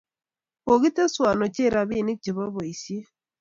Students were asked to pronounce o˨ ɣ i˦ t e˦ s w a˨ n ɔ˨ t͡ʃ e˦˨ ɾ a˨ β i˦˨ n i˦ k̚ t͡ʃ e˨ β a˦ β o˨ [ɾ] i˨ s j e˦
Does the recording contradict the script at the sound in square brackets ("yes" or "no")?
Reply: yes